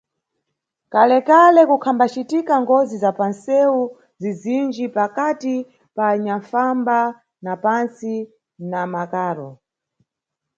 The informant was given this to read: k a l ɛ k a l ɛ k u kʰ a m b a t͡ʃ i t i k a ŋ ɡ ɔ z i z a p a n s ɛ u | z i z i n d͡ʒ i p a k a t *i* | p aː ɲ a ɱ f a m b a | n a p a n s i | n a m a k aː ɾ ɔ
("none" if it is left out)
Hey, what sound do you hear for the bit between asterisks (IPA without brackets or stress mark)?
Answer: i